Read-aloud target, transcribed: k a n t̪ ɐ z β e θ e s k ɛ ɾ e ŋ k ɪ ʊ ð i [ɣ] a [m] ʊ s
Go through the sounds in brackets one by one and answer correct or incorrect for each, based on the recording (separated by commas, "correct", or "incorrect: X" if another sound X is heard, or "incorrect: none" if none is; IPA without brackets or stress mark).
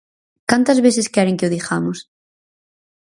incorrect: x, correct